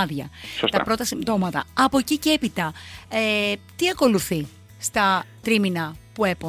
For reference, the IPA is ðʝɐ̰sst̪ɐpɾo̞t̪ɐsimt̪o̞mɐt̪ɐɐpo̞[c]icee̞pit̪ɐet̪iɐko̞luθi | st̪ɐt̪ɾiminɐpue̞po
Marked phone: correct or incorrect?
correct